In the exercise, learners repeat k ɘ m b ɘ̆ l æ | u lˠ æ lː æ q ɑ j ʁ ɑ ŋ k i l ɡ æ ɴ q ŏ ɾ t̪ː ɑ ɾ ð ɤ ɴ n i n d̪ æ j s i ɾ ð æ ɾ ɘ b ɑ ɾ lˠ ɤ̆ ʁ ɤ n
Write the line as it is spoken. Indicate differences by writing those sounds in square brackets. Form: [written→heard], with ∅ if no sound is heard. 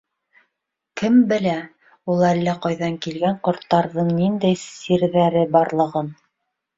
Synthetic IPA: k ɘ m b ɘ̆ l æ | u lˠ æ lː æ q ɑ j [ʁ→ð] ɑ ŋ k i l ɡ æ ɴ q ŏ ɾ t̪ː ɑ ɾ ð ɤ ɴ n i n d̪ æ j s i ɾ ð æ ɾ ɘ b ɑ ɾ lˠ ɤ̆ ʁ ɤ n